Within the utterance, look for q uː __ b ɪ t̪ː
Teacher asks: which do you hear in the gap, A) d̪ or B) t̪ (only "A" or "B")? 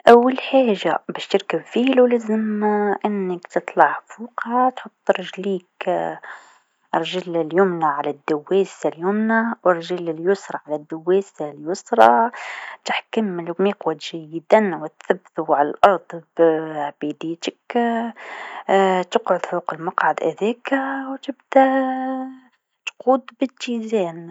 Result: A